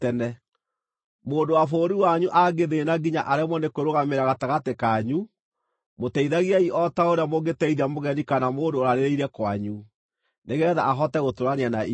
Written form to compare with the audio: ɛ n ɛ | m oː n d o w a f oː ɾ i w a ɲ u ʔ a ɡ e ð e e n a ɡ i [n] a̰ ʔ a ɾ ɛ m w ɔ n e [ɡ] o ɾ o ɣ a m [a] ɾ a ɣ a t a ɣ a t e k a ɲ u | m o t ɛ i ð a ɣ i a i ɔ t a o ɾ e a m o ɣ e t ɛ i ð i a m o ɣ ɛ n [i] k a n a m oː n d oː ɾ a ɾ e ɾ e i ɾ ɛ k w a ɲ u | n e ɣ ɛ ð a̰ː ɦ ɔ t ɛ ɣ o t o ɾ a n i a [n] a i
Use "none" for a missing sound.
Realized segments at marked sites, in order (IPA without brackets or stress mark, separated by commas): ɲ, k, e, i, n